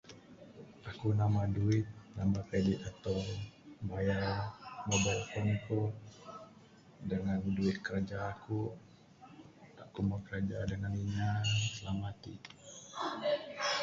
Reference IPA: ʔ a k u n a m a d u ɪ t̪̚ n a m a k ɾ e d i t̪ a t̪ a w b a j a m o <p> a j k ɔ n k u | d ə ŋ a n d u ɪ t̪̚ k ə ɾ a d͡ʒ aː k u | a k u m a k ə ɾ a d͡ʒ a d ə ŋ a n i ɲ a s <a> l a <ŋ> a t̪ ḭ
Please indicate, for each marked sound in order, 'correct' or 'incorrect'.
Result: incorrect, incorrect, incorrect

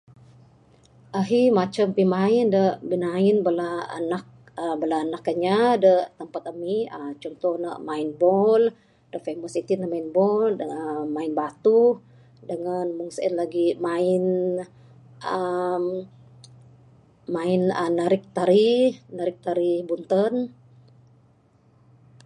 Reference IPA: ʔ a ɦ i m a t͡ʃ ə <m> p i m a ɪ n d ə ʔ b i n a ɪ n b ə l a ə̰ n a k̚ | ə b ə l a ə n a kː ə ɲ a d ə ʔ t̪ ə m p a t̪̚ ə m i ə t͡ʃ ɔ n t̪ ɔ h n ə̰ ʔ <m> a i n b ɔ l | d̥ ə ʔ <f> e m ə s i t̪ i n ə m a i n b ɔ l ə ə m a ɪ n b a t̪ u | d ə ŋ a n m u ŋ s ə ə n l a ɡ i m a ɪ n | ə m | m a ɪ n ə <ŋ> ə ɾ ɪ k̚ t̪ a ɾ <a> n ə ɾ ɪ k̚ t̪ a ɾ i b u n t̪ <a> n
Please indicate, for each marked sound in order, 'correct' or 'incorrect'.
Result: correct, correct, correct, incorrect, incorrect, incorrect

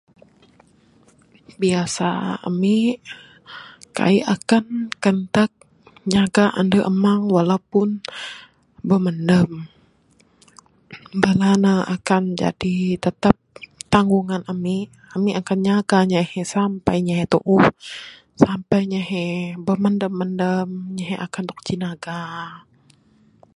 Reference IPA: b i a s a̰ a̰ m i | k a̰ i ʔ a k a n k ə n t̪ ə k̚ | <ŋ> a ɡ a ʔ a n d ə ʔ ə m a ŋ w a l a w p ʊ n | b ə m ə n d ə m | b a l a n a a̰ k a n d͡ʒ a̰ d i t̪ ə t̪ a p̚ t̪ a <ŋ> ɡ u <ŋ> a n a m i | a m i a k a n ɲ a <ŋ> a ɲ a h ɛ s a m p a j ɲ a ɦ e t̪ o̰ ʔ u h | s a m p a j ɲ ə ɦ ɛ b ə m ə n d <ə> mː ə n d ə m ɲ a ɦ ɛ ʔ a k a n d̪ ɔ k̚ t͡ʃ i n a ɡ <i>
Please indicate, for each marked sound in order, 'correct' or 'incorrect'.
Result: incorrect, correct, correct, incorrect, correct, incorrect

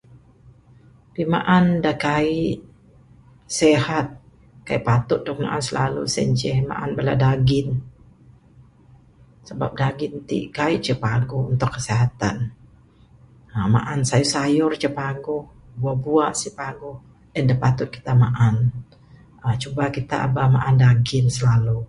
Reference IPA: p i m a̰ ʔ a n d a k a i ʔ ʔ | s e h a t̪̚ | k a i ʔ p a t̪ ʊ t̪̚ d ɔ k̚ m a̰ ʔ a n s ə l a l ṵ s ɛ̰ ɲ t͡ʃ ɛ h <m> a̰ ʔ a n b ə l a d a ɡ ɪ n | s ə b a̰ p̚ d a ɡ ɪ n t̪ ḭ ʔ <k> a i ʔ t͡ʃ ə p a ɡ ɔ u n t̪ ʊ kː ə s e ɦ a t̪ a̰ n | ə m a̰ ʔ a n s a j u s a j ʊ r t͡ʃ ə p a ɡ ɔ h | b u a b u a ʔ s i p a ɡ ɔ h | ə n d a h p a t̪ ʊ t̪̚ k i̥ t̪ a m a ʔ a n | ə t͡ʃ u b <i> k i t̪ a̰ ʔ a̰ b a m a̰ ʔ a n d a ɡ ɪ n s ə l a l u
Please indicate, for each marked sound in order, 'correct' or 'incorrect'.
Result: correct, correct, incorrect

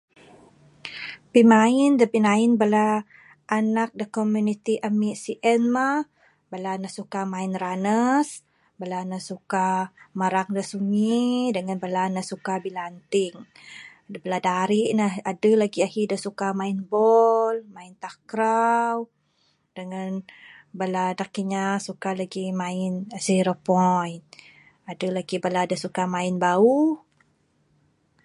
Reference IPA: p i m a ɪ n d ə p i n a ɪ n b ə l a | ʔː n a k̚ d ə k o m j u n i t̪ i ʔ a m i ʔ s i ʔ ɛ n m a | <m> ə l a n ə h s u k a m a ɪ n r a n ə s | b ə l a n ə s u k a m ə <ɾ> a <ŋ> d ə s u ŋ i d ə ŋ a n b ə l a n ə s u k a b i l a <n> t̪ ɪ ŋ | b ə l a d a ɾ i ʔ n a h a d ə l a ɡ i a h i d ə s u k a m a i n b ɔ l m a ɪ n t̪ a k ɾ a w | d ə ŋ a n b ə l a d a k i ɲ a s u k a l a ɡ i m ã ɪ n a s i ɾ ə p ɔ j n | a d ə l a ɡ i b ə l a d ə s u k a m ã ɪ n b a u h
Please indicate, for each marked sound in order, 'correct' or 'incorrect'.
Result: incorrect, correct, correct, correct

